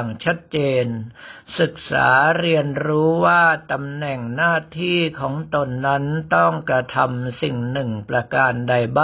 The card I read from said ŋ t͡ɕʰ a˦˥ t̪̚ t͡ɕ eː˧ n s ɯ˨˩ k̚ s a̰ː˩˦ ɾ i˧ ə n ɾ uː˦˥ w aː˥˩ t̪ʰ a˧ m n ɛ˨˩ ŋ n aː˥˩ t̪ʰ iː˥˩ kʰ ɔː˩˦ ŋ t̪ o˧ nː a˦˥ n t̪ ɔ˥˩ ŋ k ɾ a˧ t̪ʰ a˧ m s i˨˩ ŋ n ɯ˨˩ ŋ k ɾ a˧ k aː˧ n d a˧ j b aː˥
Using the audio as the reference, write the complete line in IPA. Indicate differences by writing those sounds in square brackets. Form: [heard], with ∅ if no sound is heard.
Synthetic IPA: ŋ t͡ɕʰ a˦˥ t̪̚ t͡ɕ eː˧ n s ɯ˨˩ k̚ s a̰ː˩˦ ɾ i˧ ə n ɾ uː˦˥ w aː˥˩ [t̪] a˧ m n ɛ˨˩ ŋ n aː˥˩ t̪ʰ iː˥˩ kʰ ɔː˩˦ ŋ t̪ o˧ nː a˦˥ n t̪ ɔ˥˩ ŋ k ɾ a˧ t̪ʰ a˧ m s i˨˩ ŋ n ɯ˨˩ ŋ [p] ɾ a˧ k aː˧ n d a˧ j b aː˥